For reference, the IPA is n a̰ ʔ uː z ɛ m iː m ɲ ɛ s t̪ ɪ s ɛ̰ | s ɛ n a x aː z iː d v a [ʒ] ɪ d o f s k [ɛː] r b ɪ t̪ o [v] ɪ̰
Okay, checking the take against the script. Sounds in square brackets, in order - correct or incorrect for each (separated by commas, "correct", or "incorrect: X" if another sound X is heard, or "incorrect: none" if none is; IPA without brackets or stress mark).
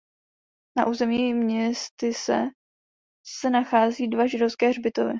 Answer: correct, correct, correct